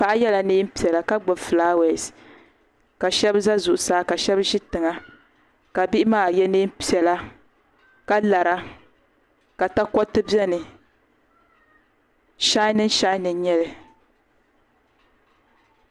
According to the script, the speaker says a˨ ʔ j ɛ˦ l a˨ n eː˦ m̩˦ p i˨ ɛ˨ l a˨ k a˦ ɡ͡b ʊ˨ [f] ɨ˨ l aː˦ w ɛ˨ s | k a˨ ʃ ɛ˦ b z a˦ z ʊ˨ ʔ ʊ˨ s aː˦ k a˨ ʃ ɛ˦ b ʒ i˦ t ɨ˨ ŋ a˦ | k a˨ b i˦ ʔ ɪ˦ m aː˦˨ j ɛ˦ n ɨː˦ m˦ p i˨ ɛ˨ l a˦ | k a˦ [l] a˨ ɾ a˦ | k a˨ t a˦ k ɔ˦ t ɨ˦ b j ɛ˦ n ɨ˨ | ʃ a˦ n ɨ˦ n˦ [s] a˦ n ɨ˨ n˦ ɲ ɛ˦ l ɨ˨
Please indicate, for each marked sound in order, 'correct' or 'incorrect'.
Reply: correct, correct, incorrect

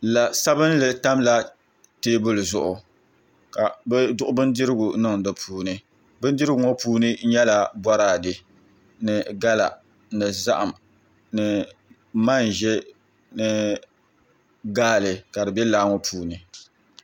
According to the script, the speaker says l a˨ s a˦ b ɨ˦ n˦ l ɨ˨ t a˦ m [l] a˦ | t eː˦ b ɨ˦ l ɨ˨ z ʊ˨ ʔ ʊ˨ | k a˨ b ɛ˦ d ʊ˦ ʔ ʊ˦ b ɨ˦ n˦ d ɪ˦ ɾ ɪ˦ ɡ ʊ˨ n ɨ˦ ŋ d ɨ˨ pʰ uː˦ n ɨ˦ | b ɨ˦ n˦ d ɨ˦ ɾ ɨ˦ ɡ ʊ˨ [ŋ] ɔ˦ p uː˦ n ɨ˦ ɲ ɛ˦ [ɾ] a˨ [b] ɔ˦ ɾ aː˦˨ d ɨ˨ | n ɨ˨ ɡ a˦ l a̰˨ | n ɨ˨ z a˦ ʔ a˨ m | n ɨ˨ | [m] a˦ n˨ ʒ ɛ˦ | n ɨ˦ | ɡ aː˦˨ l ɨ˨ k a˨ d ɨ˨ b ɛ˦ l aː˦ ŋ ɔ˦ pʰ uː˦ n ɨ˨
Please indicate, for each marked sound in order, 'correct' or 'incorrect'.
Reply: correct, correct, incorrect, correct, correct

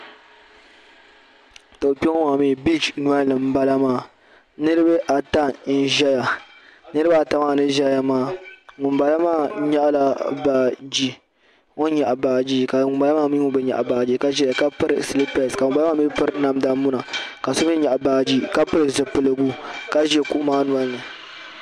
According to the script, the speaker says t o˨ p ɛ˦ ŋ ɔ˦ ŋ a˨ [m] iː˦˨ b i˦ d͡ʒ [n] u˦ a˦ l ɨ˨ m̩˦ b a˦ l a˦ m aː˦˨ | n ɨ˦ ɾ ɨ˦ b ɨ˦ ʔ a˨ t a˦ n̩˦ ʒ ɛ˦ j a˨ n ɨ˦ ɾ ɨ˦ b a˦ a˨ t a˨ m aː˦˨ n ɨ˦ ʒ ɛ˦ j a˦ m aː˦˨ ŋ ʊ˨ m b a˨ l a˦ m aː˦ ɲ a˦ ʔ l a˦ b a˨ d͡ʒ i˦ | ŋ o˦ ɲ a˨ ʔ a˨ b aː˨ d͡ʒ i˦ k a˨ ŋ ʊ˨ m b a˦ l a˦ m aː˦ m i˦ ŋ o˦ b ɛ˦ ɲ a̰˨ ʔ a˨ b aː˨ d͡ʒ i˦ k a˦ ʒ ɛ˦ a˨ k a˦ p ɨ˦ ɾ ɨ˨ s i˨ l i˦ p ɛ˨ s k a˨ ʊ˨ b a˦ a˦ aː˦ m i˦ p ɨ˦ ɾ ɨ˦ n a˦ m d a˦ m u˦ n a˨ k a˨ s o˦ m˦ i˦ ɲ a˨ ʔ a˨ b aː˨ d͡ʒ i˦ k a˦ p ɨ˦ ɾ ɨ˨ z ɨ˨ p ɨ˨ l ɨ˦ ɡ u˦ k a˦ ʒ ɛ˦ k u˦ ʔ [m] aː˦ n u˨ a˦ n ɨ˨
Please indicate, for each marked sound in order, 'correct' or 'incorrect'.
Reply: correct, correct, correct

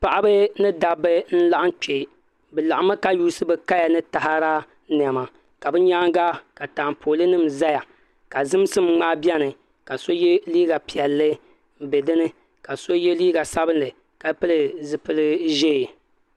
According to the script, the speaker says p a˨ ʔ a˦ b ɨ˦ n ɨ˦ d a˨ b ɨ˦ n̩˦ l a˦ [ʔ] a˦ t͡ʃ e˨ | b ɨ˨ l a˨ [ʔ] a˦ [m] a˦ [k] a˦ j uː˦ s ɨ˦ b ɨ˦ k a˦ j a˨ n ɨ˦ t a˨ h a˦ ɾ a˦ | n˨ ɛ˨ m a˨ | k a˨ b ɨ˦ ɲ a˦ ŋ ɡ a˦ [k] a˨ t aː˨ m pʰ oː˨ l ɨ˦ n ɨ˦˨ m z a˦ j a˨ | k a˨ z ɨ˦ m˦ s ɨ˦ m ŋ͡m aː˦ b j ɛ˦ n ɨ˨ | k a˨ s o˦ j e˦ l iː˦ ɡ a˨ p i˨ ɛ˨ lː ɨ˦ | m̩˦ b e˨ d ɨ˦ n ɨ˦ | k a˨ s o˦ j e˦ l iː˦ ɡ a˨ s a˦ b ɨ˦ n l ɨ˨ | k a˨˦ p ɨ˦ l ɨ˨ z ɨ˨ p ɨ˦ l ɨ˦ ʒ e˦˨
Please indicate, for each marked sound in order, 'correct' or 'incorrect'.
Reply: correct, correct, correct, correct, correct

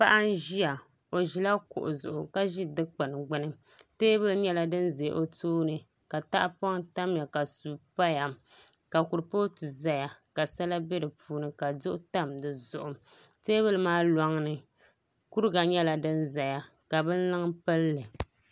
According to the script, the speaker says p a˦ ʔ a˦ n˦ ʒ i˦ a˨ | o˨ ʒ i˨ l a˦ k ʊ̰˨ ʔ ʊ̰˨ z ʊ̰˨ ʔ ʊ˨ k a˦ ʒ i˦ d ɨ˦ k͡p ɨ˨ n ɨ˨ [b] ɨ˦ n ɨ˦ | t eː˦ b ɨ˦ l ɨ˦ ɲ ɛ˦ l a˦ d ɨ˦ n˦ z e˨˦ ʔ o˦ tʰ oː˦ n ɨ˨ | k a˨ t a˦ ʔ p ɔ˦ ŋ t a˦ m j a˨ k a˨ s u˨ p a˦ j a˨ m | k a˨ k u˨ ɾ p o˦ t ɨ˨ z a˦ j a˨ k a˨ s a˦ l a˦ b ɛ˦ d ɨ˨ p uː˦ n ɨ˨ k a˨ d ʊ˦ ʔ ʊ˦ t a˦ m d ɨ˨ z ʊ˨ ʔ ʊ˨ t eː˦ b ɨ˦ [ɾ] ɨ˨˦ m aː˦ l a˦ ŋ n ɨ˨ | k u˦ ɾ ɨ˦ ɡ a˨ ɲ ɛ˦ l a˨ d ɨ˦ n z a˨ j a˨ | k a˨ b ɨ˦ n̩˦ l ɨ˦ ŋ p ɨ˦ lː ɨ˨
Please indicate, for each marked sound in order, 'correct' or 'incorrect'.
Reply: incorrect, incorrect

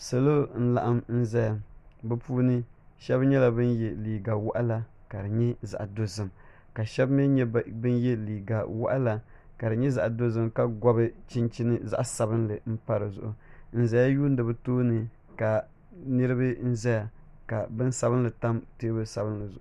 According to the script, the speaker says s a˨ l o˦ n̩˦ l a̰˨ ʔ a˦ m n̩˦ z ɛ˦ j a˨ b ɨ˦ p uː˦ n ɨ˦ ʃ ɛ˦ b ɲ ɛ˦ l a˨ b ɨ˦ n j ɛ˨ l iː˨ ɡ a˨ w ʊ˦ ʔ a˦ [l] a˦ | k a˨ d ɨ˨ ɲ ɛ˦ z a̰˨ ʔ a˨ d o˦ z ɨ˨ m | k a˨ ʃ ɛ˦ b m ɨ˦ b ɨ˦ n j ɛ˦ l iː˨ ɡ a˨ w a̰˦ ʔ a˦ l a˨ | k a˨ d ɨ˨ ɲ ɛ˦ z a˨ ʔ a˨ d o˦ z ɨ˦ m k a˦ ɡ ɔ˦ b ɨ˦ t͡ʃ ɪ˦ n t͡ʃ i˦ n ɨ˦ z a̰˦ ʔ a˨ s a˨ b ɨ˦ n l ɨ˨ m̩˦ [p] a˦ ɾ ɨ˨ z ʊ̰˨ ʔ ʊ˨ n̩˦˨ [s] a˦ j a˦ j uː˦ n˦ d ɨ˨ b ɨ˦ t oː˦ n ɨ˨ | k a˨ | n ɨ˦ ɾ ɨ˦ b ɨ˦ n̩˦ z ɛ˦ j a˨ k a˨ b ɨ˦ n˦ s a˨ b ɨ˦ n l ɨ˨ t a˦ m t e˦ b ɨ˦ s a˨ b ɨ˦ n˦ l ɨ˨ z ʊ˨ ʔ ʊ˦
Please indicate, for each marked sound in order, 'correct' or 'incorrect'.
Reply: correct, correct, incorrect

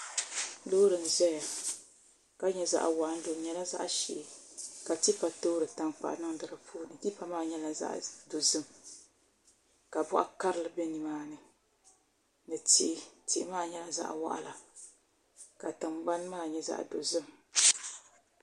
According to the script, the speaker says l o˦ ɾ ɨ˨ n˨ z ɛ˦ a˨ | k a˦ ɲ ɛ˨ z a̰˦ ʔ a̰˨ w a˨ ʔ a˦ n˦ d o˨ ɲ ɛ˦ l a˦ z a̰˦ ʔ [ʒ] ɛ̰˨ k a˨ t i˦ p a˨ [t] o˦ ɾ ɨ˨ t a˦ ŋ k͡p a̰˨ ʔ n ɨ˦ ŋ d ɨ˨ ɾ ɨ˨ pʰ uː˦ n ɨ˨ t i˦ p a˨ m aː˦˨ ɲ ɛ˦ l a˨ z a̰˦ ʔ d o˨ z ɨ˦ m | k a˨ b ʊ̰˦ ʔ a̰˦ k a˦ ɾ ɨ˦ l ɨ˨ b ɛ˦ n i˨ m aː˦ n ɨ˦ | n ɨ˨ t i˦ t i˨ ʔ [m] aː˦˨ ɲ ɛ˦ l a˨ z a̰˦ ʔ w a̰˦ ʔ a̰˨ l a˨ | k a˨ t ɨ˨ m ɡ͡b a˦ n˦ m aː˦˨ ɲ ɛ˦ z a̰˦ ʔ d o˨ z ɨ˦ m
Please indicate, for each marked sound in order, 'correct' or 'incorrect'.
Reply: incorrect, correct, correct

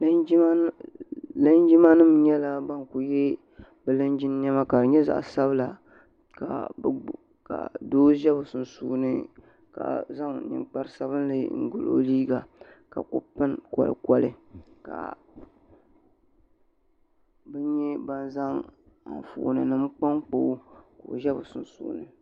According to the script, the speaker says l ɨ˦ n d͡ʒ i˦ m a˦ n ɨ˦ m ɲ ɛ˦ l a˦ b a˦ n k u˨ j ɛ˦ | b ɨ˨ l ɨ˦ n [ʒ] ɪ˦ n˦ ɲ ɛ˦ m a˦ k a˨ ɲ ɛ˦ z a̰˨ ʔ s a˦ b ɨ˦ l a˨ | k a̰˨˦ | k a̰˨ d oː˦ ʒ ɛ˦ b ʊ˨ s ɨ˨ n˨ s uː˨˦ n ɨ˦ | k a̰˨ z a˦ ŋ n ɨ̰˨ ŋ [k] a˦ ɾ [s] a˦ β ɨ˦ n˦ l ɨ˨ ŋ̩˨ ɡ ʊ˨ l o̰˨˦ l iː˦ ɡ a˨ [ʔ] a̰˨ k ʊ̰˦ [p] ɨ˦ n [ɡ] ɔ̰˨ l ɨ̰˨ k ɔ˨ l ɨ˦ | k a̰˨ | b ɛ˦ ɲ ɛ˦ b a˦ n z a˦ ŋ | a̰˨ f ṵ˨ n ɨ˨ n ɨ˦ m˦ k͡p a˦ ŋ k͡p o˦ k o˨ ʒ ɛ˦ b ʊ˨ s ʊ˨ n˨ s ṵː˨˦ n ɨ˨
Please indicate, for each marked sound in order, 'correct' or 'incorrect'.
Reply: incorrect, incorrect, correct, incorrect, correct, incorrect

